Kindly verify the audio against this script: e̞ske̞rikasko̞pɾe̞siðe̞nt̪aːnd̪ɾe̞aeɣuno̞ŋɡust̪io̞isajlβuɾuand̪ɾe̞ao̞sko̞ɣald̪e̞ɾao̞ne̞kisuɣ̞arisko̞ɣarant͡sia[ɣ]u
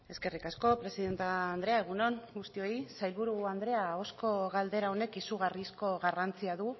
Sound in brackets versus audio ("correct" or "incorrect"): incorrect